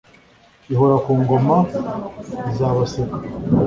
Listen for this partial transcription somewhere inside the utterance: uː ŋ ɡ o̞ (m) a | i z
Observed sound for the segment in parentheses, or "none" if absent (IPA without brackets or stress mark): m